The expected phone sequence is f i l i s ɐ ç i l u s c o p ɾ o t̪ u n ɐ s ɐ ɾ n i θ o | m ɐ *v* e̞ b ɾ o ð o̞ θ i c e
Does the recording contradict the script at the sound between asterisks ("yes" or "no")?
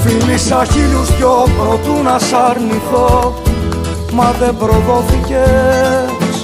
yes